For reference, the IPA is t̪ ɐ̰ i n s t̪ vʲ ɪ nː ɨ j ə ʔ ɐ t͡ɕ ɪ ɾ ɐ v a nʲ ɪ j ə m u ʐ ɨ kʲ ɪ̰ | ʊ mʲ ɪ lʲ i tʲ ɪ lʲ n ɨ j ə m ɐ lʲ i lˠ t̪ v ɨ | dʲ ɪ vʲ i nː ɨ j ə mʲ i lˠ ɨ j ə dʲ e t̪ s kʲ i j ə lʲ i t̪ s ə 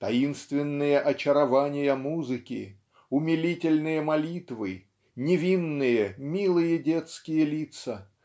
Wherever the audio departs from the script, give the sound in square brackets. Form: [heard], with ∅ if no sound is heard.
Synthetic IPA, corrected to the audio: t̪ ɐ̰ i n s t̪ vʲ ɪ nː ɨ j ə ʔ ɐ t͡ɕ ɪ ɾ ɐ v a nʲ ɪ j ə m u [z] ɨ kʲ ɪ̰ | ʊ mʲ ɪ lʲ i tʲ ɪ lʲ n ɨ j ə m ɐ lʲ i [∅] t̪ v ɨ | [nʲ] ɪ vʲ i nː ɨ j ə mʲ i lˠ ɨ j ə dʲ e t̪ s kʲ [ɪ] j ə lʲ i t̪ s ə